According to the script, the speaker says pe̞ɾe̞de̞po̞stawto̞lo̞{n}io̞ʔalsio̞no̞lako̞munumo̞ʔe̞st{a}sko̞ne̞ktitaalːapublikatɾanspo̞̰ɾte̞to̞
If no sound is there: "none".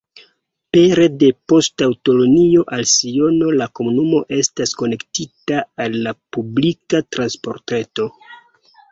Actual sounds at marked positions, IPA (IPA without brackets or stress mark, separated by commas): n, a